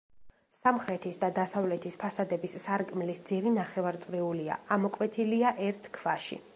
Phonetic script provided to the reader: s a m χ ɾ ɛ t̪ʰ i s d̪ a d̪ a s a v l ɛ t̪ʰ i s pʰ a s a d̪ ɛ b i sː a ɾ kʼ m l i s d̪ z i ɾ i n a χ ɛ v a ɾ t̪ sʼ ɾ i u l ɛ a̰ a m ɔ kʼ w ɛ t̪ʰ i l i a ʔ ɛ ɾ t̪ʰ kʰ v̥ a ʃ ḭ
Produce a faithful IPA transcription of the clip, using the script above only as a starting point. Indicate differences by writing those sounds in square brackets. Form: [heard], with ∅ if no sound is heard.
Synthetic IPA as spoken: s a m χ ɾ ɛ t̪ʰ i s d̪ a d̪ a s a v l ɛ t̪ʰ i s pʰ a s a d̪ ɛ b i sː a ɾ kʼ m l i s d̪ z i ɾ i n a χ ɛ v a ɾ t̪ sʼ ɾ i u l [i] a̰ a m ɔ kʼ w ɛ t̪ʰ i l i a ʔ ɛ ɾ t̪ʰ kʰ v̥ a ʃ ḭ